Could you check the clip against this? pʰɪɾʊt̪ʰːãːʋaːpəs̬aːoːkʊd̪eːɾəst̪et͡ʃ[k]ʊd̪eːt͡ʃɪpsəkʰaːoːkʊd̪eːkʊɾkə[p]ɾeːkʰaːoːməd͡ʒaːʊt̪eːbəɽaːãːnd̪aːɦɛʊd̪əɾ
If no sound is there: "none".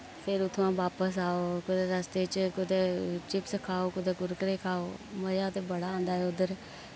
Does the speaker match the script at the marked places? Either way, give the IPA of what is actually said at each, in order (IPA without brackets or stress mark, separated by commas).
k, none